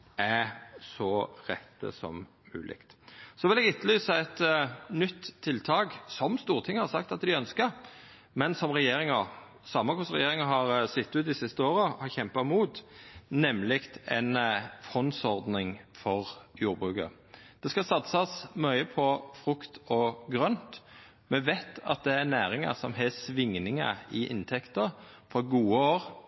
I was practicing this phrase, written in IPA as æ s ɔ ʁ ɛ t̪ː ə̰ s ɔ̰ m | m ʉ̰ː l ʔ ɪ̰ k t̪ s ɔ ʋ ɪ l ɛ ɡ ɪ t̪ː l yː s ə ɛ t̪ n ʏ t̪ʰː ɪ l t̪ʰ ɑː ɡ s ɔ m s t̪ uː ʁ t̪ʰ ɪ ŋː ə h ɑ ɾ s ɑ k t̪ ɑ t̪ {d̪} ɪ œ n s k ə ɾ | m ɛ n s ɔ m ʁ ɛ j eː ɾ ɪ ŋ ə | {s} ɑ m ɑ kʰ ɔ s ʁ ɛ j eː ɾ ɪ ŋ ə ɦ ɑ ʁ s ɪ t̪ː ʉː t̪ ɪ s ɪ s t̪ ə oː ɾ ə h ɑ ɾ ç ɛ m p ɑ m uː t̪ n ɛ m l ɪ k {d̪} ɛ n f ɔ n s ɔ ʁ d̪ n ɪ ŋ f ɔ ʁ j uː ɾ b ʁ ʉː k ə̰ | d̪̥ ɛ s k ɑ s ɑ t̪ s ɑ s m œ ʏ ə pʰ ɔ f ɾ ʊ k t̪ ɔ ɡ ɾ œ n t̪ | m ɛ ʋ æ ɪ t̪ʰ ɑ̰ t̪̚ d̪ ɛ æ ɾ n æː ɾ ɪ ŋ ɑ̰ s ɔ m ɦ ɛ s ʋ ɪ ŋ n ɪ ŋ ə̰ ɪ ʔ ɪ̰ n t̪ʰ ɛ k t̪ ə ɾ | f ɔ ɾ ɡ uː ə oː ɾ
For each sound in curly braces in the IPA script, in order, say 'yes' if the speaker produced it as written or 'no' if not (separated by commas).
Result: yes, yes, no